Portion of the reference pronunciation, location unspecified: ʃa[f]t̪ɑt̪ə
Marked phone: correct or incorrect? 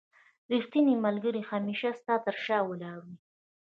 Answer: incorrect